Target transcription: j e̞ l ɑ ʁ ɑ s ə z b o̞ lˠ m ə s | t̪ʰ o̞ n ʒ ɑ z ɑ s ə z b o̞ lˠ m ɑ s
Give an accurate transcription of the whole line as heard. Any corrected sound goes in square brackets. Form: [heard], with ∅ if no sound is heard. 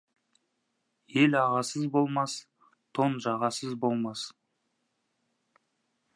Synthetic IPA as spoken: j e̞ l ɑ ʁ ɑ s ə z b o̞ lˠ m [ɑ] s | t̪ʰ o̞ n ʒ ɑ [ʁ] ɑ s ə z b o̞ lˠ m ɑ s